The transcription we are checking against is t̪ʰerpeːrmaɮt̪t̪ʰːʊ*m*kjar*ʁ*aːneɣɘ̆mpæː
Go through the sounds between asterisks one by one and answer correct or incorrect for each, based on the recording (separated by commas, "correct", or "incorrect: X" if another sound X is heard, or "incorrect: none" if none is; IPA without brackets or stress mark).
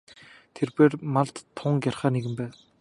incorrect: ŋ, incorrect: χ